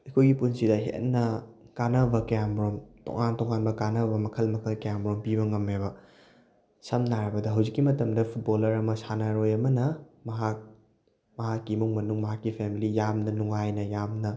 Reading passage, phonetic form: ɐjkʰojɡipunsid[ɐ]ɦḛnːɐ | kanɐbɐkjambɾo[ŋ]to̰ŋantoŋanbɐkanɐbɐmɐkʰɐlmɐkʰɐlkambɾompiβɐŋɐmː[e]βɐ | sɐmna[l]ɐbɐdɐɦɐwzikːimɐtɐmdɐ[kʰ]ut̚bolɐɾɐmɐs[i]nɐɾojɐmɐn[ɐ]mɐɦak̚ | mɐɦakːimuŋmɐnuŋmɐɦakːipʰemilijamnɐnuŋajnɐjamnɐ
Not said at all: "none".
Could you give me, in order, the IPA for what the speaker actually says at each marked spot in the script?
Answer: ɐ, m, e, ɾ, pʰ, a, ɐ

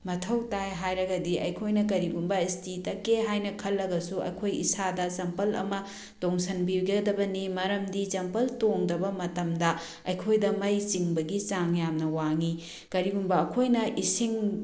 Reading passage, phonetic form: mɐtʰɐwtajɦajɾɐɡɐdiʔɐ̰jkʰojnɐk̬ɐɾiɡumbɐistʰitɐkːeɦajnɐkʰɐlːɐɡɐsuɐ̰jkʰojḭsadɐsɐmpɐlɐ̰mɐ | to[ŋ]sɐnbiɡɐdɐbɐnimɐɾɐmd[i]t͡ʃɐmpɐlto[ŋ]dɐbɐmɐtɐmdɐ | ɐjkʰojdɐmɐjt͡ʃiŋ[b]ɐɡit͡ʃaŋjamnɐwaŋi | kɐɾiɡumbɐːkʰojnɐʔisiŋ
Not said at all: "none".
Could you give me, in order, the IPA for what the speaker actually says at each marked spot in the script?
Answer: ŋ, i, ŋ, b

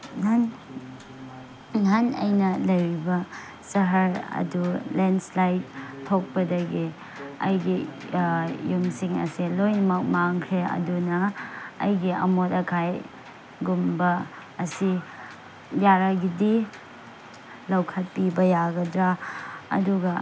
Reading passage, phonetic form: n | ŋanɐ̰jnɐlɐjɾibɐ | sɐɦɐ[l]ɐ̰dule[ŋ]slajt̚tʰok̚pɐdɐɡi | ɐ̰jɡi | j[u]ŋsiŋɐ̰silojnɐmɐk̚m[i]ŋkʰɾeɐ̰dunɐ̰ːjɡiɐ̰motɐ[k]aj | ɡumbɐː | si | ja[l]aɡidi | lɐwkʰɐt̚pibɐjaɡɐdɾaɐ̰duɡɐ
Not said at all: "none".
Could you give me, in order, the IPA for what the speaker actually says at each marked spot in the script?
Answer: ɾ, n, u, a, kʰ, ɾ

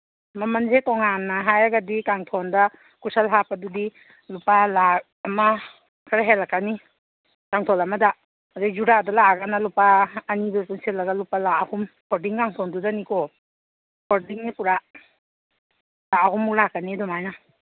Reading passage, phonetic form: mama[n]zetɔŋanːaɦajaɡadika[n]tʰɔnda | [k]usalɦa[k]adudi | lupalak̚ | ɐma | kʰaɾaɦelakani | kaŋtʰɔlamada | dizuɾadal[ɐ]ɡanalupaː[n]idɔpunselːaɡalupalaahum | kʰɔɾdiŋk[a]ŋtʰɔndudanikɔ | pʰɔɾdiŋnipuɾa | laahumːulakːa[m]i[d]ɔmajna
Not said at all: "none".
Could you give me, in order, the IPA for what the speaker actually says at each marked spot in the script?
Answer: n, ŋ, k, p, a, n, a, n, d

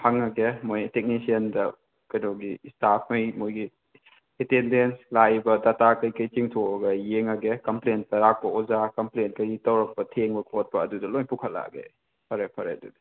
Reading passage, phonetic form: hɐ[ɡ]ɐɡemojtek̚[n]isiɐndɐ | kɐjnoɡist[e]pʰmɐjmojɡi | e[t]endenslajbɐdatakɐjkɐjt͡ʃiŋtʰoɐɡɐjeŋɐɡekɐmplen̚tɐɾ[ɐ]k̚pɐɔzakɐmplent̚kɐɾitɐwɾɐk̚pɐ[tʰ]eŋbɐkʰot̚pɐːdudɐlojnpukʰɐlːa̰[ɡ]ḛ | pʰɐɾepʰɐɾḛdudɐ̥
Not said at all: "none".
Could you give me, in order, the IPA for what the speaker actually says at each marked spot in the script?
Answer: ŋ, n, a, t, a, tʰ, ɡ

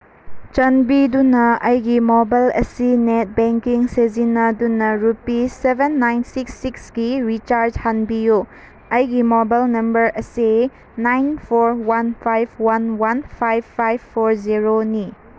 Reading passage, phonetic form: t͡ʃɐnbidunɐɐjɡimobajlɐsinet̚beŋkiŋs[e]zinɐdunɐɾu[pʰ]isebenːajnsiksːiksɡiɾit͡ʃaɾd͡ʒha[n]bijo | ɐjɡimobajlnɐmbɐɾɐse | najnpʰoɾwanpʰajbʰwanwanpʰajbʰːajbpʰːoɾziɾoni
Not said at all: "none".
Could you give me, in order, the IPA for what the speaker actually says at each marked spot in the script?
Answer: e, p, n

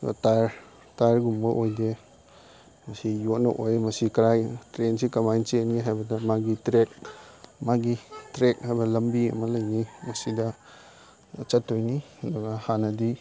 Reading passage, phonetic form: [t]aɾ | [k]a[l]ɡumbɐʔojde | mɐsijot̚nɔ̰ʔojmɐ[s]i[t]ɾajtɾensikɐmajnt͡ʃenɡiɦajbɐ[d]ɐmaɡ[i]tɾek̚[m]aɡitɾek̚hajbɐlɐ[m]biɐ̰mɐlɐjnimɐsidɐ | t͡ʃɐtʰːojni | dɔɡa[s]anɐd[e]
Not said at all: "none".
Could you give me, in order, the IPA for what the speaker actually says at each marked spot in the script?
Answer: t, t, ɾ, s, k, d, i, m, m, h, i

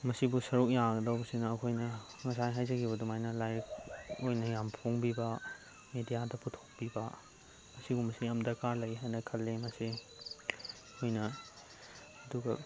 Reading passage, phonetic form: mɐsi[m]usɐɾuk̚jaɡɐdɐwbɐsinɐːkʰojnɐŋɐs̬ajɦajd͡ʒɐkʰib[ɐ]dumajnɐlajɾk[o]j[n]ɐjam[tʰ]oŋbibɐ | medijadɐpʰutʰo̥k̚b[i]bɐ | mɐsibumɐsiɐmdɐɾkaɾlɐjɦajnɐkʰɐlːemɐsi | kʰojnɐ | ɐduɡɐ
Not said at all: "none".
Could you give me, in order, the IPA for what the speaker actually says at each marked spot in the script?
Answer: b, ɐ, o, n, pʰ, i

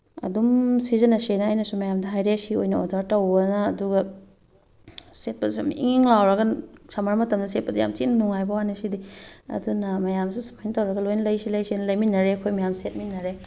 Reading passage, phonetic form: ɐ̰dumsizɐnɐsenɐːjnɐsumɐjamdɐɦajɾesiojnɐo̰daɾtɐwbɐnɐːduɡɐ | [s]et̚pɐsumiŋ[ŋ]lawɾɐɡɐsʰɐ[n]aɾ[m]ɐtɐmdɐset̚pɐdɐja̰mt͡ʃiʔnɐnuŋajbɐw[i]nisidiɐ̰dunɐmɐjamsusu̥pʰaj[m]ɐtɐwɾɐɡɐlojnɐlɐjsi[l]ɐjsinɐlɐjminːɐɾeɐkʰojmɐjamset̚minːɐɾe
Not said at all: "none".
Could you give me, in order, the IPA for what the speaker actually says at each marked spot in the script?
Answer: s, ŋ, m, m, a, n, l

